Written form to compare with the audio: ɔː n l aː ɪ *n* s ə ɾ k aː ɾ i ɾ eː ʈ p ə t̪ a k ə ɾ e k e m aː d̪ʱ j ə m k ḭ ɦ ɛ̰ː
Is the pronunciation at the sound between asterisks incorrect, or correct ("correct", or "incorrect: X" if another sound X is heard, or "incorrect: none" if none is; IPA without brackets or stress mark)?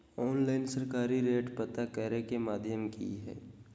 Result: correct